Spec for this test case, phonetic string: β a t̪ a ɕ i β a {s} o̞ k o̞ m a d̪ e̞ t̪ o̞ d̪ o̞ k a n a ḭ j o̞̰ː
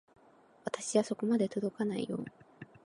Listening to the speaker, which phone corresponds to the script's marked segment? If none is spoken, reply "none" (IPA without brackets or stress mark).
s